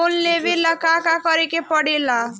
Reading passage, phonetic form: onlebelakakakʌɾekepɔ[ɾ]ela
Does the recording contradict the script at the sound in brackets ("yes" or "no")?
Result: yes